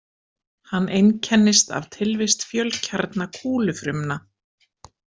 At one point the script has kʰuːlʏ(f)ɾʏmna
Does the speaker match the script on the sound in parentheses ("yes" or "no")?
yes